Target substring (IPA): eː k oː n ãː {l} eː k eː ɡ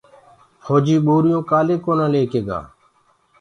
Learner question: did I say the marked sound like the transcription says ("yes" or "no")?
yes